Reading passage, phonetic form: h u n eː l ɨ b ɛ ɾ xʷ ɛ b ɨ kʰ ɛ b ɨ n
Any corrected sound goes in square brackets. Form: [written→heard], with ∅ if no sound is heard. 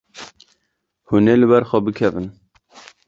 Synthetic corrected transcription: h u n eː l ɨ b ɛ ɾ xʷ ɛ b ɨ kʰ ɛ [b→v] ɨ n